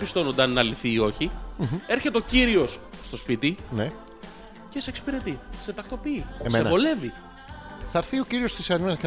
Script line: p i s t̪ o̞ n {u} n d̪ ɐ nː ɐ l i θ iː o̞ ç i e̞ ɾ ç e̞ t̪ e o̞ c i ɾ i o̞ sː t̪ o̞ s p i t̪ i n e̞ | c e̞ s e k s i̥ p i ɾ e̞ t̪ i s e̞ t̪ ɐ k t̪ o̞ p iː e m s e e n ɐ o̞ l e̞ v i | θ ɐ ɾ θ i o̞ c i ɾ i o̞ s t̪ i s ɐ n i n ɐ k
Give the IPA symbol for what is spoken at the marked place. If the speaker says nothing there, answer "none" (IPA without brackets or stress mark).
o